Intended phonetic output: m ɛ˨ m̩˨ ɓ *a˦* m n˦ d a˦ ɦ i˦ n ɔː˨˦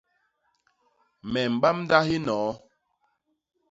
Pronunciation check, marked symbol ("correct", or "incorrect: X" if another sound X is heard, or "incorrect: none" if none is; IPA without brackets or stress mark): correct